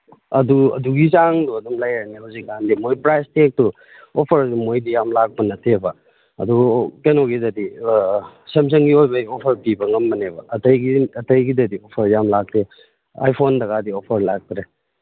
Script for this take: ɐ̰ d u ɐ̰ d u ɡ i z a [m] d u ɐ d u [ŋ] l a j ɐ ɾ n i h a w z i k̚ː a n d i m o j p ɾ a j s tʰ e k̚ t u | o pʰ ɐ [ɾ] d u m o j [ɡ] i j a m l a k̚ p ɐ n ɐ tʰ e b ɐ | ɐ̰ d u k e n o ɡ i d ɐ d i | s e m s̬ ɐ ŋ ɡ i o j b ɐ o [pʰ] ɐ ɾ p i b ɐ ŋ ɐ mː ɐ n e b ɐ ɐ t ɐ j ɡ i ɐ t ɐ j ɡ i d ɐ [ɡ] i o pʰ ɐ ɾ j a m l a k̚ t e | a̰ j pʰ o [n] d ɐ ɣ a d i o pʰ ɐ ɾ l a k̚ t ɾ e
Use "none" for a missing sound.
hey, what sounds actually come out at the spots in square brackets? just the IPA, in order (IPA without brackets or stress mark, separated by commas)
ŋ, m, ɾ, d, pʰ, d, n